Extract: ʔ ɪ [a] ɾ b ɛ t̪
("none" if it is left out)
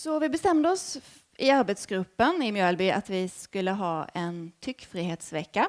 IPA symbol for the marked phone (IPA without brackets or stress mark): a